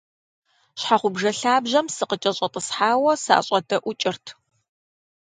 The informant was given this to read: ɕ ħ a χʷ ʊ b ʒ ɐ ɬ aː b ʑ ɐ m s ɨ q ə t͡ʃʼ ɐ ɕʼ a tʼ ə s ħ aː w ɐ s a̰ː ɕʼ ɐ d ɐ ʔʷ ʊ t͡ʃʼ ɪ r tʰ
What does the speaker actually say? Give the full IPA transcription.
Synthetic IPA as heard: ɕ ħ a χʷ ʊ b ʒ ɐ ɬ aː b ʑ ɐ m s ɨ q ə t͡ʃʼ ɐ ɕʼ ɐ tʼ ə s ħ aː w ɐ s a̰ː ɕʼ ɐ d ɐ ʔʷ ʊ t͡ʃʼ ɪ r tʰ